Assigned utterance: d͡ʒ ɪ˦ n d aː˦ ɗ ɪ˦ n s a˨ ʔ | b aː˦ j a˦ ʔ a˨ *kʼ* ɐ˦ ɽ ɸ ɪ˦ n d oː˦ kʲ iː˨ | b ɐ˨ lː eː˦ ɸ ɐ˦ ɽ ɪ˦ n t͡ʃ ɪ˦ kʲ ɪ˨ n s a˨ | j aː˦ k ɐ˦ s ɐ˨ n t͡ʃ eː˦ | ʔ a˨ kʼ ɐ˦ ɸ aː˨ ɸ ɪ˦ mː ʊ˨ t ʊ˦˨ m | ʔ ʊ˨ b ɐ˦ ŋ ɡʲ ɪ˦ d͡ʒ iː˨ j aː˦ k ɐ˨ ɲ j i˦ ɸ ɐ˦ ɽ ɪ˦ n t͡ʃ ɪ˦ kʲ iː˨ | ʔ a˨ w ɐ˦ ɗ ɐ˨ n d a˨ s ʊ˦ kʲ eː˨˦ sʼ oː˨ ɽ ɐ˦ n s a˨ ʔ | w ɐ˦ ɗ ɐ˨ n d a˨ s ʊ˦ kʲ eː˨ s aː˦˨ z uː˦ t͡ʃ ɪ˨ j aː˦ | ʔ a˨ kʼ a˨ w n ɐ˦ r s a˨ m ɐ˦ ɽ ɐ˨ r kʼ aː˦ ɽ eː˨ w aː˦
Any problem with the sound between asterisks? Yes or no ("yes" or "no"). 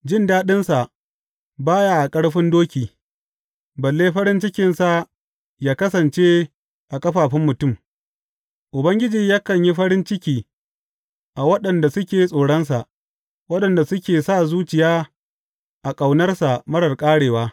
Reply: no